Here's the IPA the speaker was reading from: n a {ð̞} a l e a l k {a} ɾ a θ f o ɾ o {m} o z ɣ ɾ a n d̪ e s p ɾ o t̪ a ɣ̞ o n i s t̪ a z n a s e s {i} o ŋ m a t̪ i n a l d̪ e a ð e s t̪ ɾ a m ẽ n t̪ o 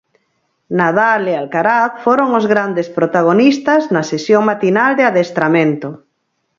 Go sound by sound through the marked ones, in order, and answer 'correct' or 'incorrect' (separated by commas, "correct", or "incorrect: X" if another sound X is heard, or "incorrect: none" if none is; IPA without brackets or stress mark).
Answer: correct, correct, incorrect: ŋ, incorrect: j